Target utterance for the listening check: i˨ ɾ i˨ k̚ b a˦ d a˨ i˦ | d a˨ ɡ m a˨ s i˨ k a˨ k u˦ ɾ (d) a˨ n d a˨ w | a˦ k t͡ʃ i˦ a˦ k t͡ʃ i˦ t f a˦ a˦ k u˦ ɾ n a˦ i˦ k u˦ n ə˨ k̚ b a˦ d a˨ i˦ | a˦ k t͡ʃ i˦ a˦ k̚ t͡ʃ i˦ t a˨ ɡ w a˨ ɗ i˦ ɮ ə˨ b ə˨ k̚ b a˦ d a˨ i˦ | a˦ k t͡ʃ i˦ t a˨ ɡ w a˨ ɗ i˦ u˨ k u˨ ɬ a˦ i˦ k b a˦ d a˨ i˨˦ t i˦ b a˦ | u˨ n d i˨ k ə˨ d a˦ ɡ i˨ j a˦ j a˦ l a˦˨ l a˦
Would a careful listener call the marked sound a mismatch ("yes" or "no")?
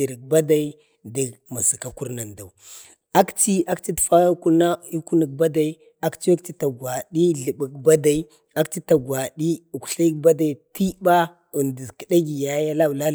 yes